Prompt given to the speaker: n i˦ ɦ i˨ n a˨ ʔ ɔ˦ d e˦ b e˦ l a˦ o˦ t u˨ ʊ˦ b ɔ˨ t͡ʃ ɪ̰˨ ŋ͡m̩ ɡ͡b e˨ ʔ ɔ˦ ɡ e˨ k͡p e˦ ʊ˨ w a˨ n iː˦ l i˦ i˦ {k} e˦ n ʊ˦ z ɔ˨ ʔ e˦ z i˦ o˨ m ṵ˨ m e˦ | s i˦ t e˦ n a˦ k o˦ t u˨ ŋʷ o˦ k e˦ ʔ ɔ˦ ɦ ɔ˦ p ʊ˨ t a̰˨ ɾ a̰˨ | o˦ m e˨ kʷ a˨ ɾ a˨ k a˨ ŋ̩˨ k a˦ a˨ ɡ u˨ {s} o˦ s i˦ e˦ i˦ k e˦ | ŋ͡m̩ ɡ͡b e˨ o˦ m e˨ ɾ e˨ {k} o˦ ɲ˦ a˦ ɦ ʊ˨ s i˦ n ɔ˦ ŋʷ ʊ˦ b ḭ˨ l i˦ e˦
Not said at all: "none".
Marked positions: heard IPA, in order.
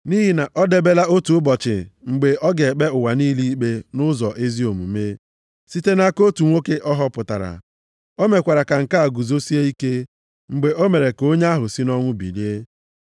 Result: k͡p, z, k

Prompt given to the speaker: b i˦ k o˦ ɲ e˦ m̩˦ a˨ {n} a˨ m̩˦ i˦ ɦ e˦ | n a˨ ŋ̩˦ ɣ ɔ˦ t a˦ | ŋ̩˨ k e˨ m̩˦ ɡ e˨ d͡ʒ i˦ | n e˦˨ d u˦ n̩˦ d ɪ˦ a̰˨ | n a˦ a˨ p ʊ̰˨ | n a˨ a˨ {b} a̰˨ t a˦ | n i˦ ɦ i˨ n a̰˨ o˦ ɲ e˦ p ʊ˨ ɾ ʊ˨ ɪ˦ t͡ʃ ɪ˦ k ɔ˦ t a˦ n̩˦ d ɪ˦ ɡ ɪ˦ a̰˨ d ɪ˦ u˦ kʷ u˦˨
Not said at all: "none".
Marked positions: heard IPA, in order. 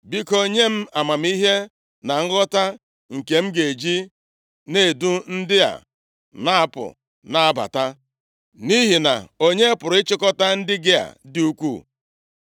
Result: m, b

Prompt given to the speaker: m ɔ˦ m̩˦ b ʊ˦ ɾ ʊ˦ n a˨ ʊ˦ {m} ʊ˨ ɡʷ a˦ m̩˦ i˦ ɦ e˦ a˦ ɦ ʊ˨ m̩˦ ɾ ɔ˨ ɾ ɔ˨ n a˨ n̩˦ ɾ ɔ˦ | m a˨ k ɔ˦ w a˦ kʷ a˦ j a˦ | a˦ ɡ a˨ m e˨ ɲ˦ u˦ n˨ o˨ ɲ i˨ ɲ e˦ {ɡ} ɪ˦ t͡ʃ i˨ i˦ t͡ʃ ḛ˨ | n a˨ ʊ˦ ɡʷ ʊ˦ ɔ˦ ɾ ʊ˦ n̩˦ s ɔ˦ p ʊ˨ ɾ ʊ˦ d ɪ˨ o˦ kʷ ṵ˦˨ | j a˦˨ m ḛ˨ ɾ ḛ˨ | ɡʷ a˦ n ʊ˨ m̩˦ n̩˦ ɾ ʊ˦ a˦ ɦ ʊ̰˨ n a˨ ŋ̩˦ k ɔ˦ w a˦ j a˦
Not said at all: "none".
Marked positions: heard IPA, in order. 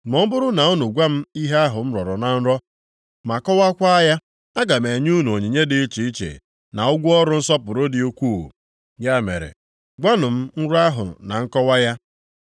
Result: n, d

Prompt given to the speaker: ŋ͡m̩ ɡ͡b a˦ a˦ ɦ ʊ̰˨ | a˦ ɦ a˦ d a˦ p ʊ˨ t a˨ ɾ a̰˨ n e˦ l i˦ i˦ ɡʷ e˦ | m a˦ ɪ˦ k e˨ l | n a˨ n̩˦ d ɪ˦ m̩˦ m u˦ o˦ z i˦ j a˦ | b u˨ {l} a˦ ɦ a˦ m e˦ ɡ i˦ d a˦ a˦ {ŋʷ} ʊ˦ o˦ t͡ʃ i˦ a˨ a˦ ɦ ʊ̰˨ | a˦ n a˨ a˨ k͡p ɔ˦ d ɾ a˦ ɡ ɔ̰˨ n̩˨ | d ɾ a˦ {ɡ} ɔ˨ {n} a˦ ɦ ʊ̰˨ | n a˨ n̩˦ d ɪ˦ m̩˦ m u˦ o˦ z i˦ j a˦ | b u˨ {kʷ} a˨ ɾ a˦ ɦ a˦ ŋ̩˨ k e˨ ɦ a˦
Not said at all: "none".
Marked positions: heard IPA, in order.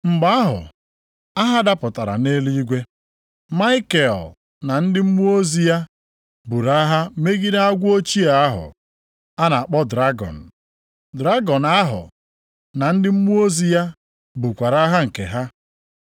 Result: ɾ, ɡʷ, ɡ, n, kʷ

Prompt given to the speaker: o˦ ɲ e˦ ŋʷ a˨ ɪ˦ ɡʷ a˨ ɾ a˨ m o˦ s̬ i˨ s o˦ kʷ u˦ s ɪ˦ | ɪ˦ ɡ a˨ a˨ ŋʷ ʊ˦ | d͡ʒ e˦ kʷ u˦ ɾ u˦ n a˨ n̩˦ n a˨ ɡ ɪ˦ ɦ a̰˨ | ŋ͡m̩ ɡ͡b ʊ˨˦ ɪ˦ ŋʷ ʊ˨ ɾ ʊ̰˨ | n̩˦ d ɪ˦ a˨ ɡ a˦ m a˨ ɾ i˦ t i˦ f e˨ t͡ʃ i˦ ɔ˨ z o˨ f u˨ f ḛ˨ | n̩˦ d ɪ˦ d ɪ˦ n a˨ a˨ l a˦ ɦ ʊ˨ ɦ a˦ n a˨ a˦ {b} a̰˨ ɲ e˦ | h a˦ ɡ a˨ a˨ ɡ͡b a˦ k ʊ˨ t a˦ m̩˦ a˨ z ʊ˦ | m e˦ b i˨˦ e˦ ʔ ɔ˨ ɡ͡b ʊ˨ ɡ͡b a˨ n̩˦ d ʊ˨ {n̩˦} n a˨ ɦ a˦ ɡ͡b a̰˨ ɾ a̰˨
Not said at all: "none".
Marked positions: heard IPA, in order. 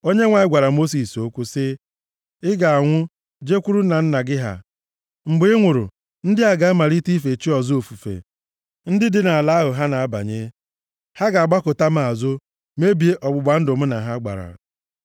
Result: b, m̩˦

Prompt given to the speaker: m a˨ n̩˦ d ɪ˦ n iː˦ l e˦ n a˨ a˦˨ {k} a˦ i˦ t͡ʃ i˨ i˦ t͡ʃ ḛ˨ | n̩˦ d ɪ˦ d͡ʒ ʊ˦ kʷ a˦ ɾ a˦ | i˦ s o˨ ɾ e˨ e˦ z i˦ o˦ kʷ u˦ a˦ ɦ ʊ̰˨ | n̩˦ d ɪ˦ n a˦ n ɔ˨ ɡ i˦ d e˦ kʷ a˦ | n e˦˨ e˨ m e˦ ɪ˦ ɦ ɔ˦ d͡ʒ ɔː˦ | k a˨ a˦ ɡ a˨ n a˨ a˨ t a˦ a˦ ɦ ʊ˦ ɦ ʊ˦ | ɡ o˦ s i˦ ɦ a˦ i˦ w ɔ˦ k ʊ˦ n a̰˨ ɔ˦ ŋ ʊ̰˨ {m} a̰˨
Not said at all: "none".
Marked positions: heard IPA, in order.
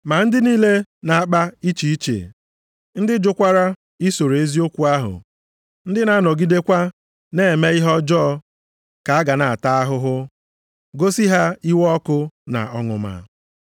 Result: k͡p, m

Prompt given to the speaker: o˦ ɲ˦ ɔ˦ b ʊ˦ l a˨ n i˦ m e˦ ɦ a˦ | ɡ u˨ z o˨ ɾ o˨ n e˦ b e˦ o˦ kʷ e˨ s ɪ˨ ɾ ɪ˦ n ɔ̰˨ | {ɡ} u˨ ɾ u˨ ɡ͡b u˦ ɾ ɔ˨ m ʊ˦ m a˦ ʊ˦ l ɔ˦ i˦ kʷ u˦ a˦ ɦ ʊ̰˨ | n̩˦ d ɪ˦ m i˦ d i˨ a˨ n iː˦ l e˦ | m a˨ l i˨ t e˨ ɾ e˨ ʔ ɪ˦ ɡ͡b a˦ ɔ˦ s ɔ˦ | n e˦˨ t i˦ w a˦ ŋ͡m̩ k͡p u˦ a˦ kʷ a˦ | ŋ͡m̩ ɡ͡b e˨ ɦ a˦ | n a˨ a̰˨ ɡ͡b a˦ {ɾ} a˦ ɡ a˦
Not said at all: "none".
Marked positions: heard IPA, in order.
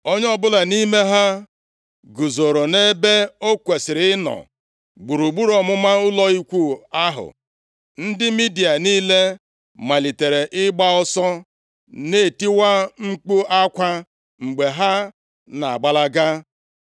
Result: ɡ͡b, l

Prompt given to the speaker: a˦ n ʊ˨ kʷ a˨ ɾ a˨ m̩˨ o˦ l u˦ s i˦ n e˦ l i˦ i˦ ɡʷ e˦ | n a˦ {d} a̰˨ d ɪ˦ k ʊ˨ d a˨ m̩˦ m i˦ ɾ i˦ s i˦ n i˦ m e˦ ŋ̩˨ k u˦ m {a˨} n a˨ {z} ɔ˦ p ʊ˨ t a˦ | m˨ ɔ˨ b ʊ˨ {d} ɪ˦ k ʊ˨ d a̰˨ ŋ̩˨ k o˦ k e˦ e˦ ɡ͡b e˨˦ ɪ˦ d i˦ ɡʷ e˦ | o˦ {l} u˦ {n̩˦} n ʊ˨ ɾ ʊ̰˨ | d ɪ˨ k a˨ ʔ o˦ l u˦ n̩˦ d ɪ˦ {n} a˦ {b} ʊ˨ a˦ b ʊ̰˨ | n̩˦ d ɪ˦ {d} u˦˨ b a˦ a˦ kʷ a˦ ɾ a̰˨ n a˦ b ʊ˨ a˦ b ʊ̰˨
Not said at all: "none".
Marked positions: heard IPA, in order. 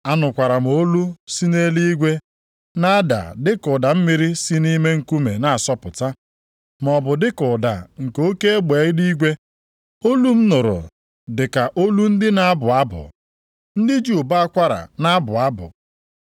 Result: d, e˨, s, d, l, m̩˦, n, b, d͡ʒ

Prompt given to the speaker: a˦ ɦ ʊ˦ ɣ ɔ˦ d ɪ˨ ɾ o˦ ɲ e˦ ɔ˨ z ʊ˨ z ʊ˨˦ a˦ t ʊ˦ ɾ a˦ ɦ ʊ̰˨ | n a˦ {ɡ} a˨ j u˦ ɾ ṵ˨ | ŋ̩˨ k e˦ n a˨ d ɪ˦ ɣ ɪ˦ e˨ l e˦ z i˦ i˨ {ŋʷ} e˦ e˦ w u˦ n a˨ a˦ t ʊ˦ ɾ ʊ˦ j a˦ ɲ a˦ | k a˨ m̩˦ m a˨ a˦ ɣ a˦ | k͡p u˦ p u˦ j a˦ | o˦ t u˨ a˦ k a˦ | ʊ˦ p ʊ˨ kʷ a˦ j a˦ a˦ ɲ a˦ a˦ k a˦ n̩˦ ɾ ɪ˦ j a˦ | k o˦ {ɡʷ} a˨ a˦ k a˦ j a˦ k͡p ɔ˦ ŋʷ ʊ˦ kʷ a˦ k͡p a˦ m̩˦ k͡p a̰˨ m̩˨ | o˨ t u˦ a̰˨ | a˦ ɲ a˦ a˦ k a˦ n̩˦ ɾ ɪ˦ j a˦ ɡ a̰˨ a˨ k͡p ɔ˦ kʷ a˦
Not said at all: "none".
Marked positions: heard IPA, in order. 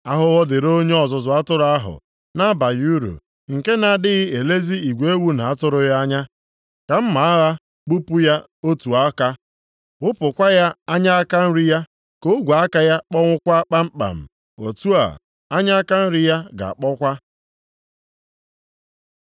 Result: b, ɡʷ, ɡʷ

